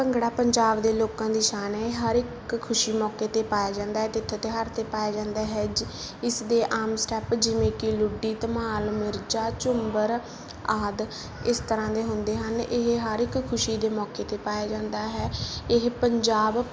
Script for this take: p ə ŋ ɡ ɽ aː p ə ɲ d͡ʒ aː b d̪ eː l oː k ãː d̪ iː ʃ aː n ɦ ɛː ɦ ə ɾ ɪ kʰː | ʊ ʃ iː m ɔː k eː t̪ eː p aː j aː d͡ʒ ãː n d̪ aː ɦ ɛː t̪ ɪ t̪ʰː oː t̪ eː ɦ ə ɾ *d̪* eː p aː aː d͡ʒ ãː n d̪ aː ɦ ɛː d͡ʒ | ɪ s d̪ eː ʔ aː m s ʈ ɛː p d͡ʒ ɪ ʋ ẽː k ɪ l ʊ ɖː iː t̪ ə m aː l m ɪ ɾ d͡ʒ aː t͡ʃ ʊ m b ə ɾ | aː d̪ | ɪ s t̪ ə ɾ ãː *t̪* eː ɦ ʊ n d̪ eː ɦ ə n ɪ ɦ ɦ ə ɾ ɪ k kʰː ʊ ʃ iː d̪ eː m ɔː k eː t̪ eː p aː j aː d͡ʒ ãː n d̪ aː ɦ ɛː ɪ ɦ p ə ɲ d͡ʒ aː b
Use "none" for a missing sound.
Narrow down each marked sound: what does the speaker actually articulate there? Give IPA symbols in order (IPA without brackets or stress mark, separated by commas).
t̪, d̪